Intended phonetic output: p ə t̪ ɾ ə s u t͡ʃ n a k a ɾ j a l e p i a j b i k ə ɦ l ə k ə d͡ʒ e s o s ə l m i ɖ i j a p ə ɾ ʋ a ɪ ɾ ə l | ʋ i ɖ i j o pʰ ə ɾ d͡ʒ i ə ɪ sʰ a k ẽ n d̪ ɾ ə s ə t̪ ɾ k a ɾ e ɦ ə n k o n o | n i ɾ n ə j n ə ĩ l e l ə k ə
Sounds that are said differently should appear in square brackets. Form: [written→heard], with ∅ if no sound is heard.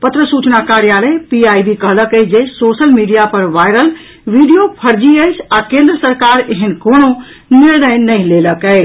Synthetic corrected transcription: p ə t̪ ɾ ə s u t͡ʃ n a k a ɾ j a l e p i a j b i k ə ɦ l ə k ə d͡ʒ e s o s ə l m i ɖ i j a p ə ɾ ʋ a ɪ ɾ ə l | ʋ i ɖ i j o pʰ ə ɾ d͡ʒ i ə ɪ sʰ a k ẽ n d̪ ɾ ə s ə [t̪→∅] ɾ k a ɾ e ɦ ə n k o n o | n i ɾ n ə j n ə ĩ l e l ə k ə